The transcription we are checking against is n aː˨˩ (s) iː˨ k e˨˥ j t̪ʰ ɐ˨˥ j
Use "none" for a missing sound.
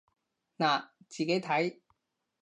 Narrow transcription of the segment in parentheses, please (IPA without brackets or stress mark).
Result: t͡s